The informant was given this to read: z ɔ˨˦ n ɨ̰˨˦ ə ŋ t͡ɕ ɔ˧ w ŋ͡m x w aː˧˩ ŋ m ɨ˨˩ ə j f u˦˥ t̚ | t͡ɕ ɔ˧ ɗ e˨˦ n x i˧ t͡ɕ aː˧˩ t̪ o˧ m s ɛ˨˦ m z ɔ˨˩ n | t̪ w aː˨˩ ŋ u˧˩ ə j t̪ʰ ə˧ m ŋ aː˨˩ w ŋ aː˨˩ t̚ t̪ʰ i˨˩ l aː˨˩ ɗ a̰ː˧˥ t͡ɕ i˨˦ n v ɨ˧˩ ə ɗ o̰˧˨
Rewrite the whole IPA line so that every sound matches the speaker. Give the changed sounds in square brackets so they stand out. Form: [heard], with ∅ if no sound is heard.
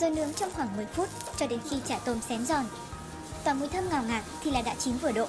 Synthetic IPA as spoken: z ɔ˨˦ n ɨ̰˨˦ ə ŋ t͡ɕ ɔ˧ w ŋ͡m x w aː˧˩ ŋ m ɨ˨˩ ə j f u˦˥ t̚ | t͡ɕ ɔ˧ ɗ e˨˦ n x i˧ t͡ɕ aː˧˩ t̪ o˧ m s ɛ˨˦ m z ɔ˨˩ n | t̪ w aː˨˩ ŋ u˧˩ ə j t̪ʰ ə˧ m ŋ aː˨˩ w ŋ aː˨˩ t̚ t̪ʰ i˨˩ l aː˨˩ ɗ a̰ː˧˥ t͡ɕ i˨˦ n v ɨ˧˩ ə ɗ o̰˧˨